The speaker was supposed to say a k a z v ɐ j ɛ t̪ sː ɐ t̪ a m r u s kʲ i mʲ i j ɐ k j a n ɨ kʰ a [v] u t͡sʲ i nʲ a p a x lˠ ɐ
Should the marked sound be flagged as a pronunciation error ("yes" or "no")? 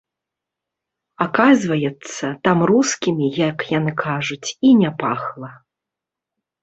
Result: yes